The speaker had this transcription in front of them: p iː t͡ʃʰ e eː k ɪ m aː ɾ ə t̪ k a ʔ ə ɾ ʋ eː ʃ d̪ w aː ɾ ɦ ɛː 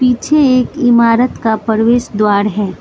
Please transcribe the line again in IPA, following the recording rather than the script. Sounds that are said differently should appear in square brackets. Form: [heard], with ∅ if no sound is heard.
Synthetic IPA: p iː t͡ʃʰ e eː k ɪ m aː ɾ ə t̪ k a [p] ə ɾ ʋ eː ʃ d̪ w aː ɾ ɦ ɛː